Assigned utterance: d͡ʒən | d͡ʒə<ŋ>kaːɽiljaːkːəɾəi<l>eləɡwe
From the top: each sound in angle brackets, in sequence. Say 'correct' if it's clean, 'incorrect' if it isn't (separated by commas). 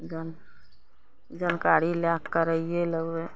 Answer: incorrect, incorrect